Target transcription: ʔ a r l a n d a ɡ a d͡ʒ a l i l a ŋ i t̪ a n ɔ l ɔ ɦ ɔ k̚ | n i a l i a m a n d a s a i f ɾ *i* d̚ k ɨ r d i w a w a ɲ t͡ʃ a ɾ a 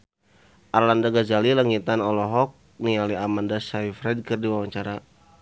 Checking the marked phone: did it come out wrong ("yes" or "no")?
yes